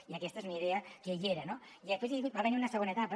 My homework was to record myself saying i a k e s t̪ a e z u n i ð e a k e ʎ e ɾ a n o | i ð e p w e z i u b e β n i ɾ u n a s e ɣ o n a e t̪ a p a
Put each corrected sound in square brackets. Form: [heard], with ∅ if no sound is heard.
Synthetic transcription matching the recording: i a k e s t̪ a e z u n i ð e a k e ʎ e ɾ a n o | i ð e p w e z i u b [a] β n i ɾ u n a s e ɣ o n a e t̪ a p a